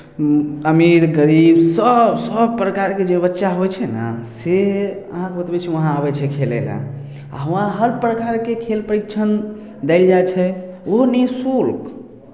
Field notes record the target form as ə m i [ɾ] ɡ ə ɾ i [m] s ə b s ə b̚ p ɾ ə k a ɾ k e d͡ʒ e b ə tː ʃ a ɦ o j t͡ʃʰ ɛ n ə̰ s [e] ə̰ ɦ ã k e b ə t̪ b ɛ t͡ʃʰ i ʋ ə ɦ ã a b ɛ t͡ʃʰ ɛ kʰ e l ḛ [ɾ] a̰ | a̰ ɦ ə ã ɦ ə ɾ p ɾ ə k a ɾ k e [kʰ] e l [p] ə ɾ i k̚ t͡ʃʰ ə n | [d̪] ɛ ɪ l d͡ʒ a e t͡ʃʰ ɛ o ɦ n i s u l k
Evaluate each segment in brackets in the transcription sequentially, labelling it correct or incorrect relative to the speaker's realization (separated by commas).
correct, incorrect, correct, incorrect, correct, correct, correct